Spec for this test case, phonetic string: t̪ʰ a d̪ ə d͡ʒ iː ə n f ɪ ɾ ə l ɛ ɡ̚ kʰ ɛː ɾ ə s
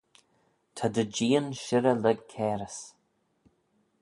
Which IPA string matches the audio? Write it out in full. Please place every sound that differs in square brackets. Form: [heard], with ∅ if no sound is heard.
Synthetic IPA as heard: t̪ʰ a d̪ ə d͡ʒ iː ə n [ʃ] ɪ ɾ ə l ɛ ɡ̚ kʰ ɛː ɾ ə s